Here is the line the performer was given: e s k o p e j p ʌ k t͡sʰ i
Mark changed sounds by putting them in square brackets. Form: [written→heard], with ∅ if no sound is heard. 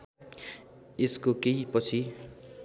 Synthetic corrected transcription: e s k o [p→k] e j p ʌ [k→∅] t͡sʰ i